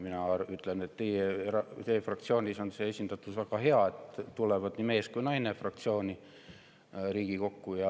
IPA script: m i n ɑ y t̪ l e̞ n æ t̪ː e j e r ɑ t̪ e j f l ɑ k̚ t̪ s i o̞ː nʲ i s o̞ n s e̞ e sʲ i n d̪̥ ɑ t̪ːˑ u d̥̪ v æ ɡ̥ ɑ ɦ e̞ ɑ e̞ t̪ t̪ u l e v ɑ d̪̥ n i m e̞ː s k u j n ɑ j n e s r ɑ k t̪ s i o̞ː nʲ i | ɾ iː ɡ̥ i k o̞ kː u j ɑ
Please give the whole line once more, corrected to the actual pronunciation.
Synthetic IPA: m i n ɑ y t̪ l e̞ n e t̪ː e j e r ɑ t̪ e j f r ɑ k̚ t̪ s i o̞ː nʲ i s o̞ n s e̞ e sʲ i n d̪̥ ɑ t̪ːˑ u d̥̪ v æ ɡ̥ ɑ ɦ e̞ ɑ e̞ t̪ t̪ u l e v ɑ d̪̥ n i m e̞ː s k u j n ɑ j n e f r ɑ k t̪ s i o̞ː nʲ i | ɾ iː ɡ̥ i k o̞ kː u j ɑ